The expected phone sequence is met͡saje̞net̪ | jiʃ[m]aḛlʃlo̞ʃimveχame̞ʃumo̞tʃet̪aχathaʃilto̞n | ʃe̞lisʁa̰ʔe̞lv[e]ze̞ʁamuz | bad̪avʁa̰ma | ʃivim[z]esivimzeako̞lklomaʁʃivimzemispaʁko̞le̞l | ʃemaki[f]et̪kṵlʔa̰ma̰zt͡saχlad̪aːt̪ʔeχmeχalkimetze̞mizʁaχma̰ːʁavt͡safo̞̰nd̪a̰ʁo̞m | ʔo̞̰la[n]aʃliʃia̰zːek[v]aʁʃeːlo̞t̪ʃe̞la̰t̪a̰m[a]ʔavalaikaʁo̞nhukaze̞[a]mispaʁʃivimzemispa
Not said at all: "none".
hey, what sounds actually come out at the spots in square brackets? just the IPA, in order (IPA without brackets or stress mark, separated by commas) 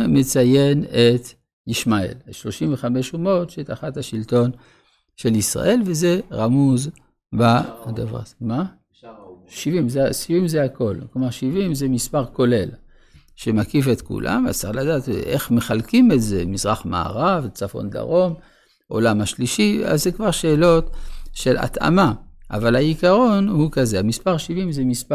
m, e, z, f, m, v, a, a